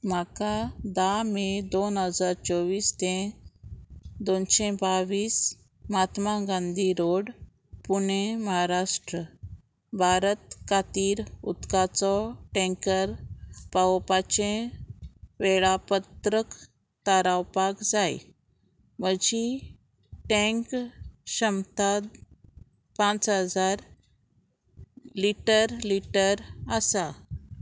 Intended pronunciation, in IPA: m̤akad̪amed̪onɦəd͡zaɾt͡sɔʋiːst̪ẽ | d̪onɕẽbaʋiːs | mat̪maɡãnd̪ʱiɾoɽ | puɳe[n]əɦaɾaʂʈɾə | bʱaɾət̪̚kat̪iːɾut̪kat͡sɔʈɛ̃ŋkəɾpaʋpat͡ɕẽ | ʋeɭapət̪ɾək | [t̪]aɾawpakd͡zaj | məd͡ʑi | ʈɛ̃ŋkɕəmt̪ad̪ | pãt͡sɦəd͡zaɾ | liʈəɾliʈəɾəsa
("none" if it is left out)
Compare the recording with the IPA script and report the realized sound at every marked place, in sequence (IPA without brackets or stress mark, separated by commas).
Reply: m, t̪